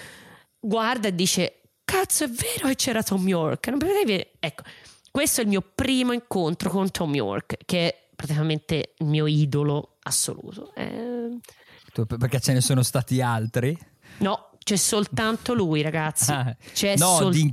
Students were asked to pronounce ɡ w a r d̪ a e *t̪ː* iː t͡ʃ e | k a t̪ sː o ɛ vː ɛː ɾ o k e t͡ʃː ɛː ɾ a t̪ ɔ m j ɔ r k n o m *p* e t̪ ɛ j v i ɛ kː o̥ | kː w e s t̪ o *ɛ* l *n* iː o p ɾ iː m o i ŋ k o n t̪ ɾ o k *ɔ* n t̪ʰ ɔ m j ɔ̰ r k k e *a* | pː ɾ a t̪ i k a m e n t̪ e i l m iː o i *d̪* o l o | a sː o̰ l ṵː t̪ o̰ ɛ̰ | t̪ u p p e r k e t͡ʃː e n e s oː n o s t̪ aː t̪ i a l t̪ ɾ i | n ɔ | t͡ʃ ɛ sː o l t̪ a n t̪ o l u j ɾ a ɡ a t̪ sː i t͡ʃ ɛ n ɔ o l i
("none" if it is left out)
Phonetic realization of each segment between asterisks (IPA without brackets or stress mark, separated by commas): d̪ː, p, ɛ, m, o, ɛ, d̪